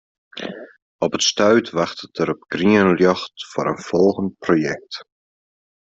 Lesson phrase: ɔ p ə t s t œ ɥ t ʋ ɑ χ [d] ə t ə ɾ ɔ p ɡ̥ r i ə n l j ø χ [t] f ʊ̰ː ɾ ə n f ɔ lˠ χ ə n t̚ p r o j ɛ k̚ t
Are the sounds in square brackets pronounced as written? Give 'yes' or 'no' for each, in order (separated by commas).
no, yes